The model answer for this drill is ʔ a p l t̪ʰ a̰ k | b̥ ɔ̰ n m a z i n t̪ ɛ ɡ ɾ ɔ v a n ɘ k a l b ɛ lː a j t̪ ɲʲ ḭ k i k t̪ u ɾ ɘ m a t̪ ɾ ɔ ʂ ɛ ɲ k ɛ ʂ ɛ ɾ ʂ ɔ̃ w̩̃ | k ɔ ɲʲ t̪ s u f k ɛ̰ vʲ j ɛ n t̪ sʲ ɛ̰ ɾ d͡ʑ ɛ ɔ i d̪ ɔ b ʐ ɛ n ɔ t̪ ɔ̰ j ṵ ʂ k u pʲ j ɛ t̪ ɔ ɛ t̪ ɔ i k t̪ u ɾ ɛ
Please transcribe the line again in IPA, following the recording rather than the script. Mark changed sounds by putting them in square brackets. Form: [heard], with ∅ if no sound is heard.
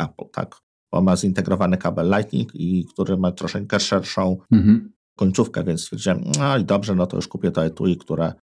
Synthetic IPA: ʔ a p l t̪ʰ a̰ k | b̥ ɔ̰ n m a z i n t̪ ɛ ɡ ɾ ɔ v a n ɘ k a [∅] b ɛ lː a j t̪ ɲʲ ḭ k i k t̪ u ɾ ɘ m a t̪ ɾ ɔ ʂ ɛ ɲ k ɛ ʂ ɛ ɾ ʂ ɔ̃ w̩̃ | k ɔ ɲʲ t̪ s u f k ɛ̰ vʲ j ɛ n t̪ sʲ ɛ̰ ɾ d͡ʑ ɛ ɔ i d̪ ɔ b ʐ ɛ n ɔ t̪ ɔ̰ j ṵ ʂ k u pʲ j ɛ t̪ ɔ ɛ t̪ [u] i k t̪ u ɾ ɛ